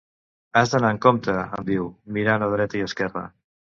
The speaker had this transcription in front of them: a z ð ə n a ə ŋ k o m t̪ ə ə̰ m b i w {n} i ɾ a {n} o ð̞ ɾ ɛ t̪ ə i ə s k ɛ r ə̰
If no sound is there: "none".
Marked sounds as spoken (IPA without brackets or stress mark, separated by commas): m, n